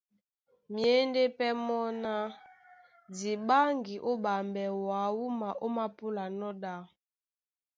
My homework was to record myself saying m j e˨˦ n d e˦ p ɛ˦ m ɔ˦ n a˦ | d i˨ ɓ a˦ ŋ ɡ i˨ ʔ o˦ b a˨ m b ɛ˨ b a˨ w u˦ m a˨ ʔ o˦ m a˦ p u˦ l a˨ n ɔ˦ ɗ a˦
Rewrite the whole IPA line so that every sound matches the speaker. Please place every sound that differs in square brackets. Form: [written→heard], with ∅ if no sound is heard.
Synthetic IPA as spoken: m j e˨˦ n d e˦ p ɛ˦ m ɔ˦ n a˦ | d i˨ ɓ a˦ ŋ ɡ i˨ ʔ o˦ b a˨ m b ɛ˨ [b→w] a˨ w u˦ m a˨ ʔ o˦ m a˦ p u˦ l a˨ n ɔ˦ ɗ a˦